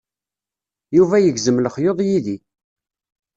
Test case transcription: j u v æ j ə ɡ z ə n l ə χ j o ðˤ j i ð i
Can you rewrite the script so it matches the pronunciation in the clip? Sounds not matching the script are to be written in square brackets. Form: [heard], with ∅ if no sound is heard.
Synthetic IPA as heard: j u v æ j ə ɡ z ə [m] l ə χ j o ðˤ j i ð i